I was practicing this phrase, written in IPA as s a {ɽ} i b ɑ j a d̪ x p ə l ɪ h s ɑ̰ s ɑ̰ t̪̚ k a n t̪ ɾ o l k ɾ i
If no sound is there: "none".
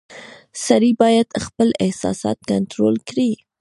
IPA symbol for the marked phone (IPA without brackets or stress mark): ɾ